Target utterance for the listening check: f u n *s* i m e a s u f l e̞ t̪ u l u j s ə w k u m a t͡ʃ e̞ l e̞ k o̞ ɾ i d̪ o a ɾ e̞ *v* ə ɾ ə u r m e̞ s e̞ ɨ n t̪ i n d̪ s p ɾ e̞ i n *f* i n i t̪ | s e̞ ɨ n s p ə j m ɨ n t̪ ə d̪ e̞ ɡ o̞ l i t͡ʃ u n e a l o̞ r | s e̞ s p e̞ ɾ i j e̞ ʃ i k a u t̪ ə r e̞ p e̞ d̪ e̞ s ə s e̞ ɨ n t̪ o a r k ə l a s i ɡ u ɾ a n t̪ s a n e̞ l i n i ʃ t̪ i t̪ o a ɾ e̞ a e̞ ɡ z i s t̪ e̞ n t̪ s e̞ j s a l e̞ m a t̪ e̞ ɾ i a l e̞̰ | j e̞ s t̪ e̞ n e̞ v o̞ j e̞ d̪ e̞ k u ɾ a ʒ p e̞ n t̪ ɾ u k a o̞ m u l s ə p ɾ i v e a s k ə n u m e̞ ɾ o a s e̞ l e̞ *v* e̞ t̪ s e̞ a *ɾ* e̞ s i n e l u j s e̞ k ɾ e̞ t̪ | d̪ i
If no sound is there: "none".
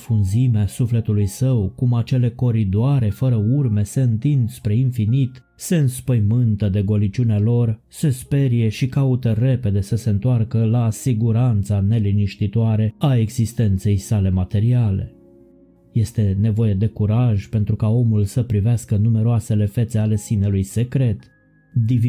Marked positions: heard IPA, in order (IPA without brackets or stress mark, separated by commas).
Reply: z, f, f, f, l